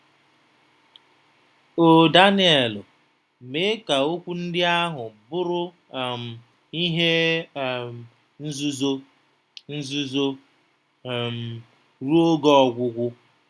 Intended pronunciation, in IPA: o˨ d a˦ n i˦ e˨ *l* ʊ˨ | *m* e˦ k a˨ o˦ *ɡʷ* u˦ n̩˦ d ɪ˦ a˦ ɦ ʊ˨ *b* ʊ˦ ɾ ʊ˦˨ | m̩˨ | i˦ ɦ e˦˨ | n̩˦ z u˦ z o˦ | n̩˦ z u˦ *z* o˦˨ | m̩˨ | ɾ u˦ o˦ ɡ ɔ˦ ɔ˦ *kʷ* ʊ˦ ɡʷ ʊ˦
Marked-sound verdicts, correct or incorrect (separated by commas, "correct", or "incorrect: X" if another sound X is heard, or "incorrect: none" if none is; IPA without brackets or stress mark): correct, correct, incorrect: kʷ, correct, correct, incorrect: ɡʷ